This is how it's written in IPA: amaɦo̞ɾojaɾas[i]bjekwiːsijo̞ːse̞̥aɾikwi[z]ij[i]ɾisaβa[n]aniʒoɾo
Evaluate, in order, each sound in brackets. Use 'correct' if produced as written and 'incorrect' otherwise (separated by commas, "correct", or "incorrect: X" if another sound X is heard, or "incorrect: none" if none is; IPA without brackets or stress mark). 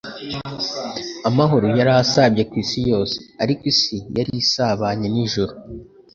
incorrect: a, incorrect: s, incorrect: a, incorrect: ɲ